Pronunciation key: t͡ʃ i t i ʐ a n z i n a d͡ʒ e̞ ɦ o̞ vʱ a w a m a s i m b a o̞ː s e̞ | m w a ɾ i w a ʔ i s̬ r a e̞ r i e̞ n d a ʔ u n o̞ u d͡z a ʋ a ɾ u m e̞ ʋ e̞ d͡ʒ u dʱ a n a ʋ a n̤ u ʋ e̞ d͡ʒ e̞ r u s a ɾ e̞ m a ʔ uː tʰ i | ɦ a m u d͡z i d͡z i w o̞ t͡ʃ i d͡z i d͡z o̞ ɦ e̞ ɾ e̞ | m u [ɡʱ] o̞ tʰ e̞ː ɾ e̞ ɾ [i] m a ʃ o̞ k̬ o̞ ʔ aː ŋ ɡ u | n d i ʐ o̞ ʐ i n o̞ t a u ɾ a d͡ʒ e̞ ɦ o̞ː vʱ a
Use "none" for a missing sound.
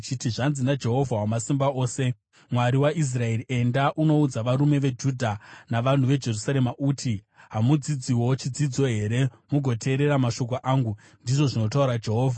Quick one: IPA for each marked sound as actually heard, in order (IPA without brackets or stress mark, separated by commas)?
ɡʱ, a